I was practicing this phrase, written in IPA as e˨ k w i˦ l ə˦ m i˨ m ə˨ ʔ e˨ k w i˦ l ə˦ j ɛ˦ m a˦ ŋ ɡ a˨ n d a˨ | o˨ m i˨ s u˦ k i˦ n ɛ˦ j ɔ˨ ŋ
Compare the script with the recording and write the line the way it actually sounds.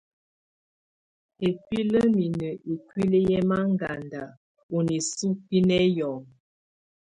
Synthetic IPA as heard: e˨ k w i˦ l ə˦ m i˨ n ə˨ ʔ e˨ k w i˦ l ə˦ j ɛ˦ m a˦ ŋ ɡ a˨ n d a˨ | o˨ n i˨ s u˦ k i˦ n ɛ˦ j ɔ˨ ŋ